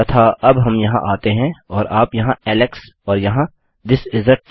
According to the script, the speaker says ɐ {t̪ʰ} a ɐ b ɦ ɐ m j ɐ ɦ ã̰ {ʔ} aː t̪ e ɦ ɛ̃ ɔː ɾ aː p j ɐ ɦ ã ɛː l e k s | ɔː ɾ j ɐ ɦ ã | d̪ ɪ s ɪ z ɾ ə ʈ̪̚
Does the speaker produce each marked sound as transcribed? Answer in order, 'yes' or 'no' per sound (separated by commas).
yes, yes